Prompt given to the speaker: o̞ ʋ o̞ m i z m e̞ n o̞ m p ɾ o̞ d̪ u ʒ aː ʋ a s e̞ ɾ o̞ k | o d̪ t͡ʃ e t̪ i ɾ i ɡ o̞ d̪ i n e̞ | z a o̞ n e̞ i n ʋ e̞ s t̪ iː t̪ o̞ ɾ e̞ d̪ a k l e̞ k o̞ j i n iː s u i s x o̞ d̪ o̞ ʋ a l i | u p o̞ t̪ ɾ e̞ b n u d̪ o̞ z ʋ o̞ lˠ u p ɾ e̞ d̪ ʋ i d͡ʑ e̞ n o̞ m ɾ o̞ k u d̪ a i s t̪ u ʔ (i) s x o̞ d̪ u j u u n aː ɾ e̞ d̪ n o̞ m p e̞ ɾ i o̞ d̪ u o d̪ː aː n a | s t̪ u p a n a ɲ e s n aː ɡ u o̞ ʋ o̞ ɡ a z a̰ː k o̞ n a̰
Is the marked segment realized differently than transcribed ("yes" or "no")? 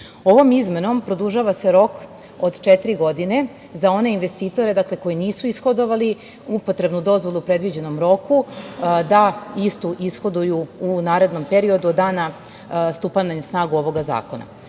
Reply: no